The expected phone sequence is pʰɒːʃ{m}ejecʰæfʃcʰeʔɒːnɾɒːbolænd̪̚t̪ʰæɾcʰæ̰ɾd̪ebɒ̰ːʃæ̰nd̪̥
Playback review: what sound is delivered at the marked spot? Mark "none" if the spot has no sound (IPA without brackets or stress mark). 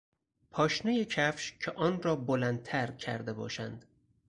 n